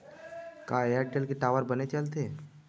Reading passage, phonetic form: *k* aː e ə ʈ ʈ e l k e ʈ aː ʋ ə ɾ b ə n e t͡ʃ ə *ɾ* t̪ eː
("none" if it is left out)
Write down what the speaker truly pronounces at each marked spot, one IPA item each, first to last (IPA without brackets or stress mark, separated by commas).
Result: k, l